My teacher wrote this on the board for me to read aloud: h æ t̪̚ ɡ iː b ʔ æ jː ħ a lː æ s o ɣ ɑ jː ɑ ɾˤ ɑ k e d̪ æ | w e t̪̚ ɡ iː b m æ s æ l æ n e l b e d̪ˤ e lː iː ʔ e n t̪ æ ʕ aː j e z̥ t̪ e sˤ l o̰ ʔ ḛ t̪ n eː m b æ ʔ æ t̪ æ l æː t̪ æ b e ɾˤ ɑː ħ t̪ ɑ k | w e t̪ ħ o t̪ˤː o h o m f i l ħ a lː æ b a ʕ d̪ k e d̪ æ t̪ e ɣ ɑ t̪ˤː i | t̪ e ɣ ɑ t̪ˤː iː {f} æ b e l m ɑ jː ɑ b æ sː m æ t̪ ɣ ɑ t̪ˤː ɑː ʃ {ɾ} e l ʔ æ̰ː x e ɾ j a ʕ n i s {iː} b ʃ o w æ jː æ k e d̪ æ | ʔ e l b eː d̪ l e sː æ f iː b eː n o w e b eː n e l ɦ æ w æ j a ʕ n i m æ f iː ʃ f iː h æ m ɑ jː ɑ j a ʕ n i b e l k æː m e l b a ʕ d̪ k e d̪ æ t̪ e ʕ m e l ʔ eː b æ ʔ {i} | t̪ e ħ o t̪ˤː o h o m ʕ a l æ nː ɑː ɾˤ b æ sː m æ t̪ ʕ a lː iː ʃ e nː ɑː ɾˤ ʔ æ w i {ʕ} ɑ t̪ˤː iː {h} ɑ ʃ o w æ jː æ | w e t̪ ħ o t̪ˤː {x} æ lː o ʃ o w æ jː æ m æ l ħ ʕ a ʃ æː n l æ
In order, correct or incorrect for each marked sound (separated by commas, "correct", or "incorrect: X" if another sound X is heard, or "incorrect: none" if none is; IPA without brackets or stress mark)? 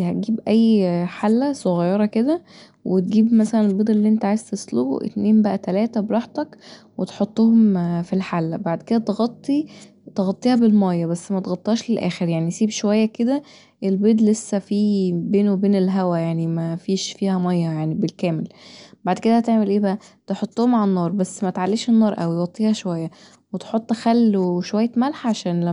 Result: incorrect: h, incorrect: l, correct, incorrect: æ, incorrect: ɣ, correct, correct